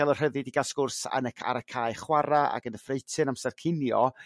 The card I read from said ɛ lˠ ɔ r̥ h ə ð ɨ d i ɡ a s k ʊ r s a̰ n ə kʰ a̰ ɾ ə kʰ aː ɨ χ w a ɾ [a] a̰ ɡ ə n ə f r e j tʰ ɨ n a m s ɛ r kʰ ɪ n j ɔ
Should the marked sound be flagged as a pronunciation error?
no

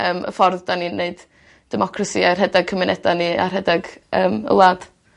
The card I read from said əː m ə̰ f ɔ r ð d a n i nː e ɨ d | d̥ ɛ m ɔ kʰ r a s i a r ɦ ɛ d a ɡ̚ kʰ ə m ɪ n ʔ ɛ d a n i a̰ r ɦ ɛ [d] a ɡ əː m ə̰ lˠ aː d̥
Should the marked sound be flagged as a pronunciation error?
no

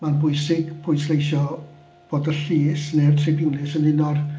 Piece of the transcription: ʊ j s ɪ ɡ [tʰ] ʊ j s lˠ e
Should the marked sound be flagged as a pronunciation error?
yes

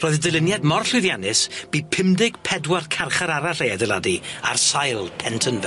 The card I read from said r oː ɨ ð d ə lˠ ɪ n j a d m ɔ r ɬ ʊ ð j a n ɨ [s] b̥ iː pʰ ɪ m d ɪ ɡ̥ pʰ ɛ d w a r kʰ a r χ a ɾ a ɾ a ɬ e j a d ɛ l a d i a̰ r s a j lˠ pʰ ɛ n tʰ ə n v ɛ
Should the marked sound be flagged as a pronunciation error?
no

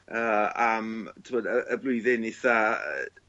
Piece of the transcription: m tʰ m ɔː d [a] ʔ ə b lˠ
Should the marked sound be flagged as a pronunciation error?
yes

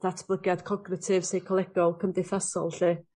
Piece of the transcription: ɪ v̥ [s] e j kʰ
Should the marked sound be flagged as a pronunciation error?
no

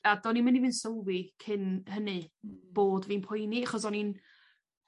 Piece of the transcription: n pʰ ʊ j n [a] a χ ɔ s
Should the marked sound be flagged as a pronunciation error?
yes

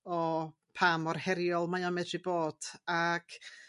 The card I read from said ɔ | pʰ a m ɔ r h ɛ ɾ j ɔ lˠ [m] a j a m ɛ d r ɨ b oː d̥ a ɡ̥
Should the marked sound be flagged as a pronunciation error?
no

